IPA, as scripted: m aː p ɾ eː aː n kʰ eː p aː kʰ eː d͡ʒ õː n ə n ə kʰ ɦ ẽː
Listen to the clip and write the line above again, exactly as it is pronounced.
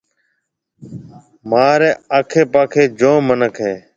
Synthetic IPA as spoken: m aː ɾ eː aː kʰ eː p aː kʰ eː d͡ʒ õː m ə n ə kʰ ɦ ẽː